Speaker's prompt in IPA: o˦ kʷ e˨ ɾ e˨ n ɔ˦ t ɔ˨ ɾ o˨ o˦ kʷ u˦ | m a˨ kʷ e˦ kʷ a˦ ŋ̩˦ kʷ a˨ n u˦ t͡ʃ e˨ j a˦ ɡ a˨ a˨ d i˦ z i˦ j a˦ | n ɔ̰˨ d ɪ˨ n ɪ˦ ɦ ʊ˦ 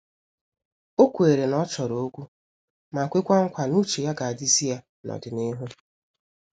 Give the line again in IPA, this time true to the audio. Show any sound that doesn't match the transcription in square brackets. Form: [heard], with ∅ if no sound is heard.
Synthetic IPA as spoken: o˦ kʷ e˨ ɾ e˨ n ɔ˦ [t͡ʃ] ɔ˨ ɾ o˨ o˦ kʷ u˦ | m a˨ kʷ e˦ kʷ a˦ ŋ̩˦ kʷ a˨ n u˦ t͡ʃ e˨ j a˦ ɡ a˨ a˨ d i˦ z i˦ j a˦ | n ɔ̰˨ d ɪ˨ n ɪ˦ ɦ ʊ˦